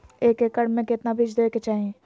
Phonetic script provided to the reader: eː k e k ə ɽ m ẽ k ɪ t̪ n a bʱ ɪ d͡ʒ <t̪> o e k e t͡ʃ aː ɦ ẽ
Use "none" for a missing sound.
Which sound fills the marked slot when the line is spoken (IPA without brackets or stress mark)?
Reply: d̪